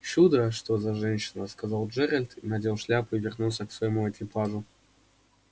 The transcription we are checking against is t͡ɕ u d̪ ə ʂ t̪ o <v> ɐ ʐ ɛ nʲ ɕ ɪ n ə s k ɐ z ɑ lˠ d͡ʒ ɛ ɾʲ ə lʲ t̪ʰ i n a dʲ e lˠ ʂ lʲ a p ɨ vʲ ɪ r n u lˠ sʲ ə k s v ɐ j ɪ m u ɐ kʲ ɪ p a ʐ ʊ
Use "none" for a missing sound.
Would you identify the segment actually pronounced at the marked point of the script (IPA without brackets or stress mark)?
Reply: z